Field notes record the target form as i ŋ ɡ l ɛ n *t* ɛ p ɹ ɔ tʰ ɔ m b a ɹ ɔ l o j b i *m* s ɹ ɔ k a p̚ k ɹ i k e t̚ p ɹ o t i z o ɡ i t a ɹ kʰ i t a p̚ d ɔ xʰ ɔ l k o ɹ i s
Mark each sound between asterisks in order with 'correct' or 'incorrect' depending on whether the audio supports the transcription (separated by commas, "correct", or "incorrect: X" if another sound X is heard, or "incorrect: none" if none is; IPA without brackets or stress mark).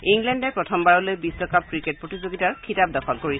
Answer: incorrect: d, incorrect: none